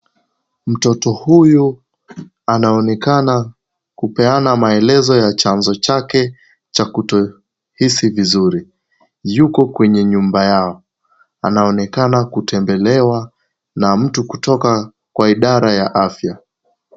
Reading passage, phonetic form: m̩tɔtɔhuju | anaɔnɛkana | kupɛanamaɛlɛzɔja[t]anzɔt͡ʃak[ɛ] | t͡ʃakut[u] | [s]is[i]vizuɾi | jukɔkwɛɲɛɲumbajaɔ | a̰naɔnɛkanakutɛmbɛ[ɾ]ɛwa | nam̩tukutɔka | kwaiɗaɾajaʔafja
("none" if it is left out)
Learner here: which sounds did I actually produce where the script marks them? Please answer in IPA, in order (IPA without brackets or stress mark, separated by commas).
t͡ʃ, ɛ, ɔ, h, i, l